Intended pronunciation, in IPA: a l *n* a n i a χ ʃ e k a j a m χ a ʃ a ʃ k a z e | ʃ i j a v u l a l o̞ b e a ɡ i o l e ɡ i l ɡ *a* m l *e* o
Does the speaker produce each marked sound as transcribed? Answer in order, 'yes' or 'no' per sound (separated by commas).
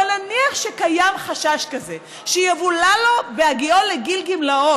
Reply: yes, no, no